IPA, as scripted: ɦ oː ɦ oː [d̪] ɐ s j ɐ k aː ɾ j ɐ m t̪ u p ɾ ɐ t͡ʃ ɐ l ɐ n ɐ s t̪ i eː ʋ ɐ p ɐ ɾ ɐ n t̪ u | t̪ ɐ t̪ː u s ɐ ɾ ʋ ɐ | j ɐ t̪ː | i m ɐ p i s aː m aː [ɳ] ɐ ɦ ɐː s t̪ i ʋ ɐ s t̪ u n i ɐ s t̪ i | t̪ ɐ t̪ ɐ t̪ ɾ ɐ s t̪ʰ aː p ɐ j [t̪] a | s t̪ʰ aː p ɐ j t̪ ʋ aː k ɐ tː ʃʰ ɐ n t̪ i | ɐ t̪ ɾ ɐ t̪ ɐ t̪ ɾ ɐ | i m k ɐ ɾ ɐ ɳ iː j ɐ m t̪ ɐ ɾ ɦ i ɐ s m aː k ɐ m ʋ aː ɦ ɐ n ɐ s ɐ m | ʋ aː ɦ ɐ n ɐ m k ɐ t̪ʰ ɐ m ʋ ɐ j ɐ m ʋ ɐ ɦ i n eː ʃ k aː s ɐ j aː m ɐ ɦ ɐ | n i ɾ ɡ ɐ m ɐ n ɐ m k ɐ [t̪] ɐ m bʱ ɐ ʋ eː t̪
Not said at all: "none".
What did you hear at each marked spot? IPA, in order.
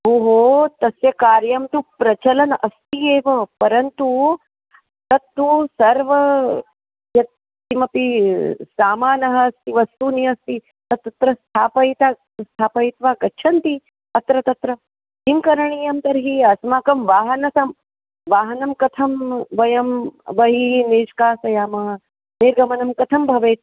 t̪, n, t̪, t̪ʰ

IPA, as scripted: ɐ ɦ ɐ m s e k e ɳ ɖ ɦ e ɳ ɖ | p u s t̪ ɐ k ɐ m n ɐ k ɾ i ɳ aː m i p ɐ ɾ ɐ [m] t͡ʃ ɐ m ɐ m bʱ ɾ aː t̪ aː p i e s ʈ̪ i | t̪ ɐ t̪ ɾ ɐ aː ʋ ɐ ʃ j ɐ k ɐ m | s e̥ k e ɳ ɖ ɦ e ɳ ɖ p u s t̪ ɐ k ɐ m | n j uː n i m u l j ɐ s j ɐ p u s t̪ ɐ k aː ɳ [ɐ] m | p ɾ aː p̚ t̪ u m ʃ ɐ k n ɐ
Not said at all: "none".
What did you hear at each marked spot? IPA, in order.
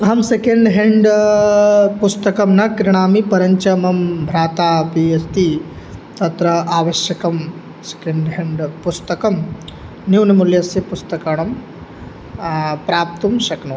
ɲ, ɐ

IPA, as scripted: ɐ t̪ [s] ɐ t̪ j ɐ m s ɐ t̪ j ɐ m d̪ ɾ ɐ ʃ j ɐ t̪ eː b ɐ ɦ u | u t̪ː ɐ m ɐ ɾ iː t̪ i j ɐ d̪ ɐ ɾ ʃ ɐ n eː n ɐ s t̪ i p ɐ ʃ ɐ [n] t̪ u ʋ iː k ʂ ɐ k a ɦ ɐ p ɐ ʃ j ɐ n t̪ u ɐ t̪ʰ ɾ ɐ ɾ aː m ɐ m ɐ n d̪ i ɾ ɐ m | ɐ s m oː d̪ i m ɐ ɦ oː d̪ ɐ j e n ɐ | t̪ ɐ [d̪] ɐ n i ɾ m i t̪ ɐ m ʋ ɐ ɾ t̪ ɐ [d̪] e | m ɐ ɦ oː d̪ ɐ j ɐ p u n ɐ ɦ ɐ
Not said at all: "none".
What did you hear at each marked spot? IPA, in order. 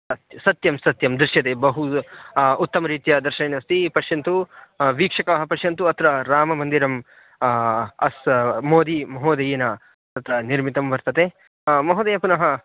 s, n, t̪, t̪

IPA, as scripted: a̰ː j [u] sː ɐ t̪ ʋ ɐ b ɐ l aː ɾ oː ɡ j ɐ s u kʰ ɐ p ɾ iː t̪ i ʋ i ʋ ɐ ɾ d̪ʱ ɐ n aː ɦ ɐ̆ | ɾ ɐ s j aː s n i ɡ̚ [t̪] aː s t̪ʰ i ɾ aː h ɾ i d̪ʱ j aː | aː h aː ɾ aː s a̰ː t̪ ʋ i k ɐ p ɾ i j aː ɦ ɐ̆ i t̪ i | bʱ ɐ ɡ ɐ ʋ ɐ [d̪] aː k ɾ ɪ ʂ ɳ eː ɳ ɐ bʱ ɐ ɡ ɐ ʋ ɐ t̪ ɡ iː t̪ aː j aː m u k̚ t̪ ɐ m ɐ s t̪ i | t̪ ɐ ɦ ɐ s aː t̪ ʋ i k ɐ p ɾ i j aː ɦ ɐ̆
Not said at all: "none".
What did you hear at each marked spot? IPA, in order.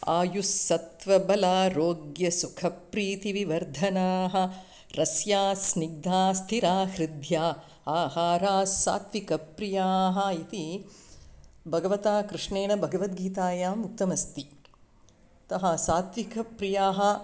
u, d̪, t̪

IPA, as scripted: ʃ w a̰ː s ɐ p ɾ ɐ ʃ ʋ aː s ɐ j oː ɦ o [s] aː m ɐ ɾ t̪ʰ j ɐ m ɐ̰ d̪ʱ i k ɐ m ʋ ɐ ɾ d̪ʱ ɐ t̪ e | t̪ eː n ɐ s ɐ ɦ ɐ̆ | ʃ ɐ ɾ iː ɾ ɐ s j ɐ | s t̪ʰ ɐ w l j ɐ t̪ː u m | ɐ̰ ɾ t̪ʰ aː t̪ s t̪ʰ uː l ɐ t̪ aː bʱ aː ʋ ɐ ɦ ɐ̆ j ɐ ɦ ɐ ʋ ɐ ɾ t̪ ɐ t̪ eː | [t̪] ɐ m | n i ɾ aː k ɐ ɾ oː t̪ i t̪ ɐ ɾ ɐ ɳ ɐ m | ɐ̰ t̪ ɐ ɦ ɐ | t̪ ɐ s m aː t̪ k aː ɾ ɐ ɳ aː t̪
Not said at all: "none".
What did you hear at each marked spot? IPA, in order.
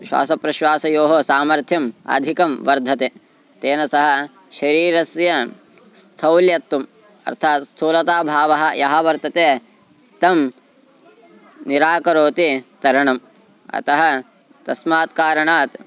s, t̪

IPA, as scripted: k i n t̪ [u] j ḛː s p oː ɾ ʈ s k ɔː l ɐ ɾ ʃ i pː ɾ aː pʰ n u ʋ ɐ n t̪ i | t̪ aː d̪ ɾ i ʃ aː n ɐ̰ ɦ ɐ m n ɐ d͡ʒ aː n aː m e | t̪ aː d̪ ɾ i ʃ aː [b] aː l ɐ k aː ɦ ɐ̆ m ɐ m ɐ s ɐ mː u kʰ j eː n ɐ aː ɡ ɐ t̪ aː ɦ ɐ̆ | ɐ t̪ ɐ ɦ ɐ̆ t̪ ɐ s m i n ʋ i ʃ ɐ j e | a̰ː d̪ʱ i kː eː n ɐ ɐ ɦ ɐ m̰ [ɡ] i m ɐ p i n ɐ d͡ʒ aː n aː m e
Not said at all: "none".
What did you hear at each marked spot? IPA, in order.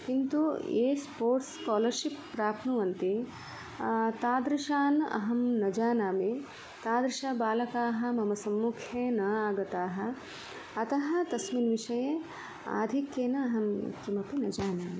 u, b, k

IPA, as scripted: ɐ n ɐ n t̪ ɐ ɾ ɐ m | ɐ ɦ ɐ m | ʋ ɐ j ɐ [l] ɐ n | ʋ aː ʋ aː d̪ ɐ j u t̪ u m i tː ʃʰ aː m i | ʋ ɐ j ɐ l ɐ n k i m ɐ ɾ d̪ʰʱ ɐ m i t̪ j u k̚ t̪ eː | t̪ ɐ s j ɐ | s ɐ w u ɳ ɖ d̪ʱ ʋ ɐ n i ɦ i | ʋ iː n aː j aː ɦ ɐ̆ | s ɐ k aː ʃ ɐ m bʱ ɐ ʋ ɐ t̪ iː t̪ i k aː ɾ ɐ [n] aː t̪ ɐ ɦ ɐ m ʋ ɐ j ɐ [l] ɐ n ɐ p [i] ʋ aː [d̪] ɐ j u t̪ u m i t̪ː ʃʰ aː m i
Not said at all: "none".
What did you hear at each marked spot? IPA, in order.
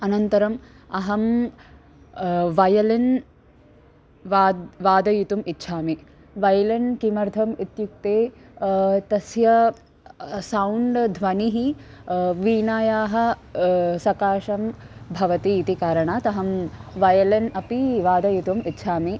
l, ɳ, l, i, d̪

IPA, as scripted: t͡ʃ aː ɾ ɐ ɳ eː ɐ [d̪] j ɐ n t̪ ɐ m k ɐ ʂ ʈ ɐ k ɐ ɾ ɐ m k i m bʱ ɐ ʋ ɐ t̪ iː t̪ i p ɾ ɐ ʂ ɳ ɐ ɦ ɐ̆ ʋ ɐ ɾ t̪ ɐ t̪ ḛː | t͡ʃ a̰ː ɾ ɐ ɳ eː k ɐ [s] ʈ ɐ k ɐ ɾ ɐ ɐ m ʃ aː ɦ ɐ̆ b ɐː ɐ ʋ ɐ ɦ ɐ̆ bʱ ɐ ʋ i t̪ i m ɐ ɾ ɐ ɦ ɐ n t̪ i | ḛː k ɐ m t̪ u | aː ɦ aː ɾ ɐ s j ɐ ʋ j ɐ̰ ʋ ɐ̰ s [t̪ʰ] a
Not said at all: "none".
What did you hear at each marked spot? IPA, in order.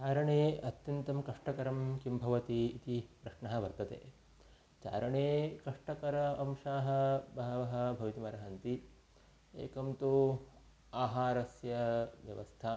t̪, ʂ, t̪ʰ

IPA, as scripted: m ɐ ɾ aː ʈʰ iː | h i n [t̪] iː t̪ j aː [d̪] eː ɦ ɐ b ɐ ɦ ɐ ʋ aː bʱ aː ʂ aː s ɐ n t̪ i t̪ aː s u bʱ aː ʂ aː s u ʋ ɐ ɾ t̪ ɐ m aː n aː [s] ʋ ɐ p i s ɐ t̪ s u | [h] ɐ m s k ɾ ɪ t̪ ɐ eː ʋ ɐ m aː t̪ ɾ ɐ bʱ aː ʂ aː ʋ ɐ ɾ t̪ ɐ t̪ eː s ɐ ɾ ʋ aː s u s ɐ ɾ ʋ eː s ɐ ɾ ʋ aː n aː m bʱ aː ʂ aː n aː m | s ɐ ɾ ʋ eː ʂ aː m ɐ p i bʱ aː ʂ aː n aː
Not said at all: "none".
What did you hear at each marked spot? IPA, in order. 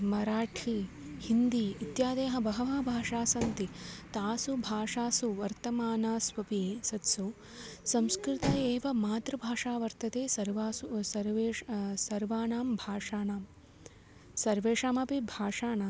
d̪, d̪, s, s

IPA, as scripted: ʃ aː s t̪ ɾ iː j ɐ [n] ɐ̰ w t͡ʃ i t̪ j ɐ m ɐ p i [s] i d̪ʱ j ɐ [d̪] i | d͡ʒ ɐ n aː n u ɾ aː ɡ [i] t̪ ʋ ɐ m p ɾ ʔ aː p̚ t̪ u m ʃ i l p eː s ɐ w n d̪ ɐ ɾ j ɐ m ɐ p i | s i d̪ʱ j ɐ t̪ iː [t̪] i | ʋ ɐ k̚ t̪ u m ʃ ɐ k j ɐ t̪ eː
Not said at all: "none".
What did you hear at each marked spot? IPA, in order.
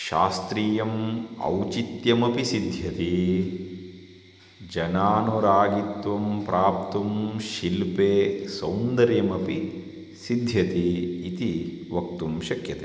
m, s, t̪, i, t̪

